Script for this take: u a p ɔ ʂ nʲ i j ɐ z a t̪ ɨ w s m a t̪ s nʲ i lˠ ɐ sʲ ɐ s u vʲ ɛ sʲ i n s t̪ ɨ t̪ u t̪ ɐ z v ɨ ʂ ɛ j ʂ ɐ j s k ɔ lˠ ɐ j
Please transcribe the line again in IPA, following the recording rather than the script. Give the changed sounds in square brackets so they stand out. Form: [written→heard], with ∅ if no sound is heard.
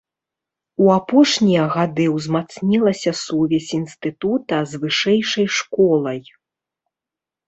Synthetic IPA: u a p ɔ ʂ nʲ i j ɐ [z→ɣ] a [t̪→d̪] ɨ w [s→z] m a t̪ s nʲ i lˠ ɐ sʲ ɐ s u vʲ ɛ sʲ i n s t̪ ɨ t̪ u t̪ ɐ z v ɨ ʂ ɛ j ʂ ɐ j [s→ʂ] k ɔ lˠ ɐ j